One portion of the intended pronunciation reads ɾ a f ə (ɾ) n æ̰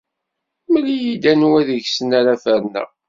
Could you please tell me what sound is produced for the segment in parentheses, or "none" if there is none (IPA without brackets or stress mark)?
ɾ